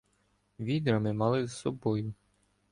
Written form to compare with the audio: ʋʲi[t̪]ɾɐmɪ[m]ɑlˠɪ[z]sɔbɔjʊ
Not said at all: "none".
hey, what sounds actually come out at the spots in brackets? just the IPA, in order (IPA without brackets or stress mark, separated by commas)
d̪, m, z